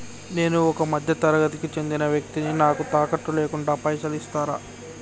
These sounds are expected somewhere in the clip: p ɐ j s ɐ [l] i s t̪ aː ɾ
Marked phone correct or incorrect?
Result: correct